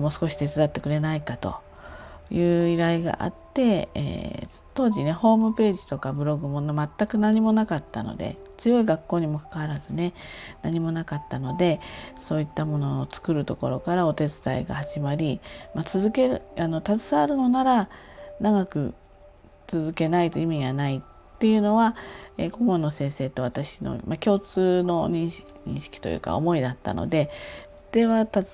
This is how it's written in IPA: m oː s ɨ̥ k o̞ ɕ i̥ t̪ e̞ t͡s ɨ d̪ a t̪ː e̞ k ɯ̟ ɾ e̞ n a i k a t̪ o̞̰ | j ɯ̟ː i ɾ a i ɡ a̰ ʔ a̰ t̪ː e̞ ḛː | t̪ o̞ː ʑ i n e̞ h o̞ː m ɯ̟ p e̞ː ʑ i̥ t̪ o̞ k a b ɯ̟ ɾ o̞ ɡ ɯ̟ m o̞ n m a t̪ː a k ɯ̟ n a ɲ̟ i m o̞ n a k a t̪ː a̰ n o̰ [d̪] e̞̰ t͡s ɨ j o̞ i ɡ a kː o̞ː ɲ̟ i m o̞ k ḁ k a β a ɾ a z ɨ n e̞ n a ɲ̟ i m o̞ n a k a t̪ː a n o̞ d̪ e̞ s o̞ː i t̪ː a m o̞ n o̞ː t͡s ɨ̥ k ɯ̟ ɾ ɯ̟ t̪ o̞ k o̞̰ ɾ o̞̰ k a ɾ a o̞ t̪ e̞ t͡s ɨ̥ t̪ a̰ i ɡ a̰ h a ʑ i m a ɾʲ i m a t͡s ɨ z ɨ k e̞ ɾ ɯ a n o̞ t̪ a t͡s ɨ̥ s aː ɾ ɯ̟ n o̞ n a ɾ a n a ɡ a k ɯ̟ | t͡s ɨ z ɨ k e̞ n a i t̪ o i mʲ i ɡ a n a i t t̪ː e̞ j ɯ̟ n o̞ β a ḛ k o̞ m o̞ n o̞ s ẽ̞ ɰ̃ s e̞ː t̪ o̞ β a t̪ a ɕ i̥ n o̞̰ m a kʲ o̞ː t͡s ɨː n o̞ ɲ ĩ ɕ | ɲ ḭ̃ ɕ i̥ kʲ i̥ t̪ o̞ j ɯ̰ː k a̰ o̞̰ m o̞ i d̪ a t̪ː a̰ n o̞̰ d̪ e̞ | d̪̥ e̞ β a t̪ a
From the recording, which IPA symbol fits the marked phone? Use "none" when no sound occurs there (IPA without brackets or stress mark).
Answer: d̪